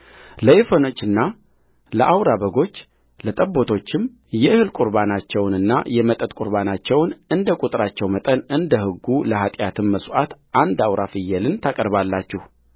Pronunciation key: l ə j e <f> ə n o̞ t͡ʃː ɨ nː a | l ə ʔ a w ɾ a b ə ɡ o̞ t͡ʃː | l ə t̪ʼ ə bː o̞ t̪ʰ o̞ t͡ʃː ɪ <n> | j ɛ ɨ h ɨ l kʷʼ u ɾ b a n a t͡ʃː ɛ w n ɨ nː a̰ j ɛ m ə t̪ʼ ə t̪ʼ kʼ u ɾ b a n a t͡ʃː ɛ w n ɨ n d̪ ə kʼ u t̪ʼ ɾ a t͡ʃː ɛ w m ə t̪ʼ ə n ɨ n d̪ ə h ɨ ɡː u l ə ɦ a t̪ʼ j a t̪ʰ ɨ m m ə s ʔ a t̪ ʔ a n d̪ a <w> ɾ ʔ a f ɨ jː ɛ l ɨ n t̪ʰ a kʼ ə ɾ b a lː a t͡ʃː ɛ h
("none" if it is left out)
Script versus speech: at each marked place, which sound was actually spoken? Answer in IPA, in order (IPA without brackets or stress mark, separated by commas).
f, m, w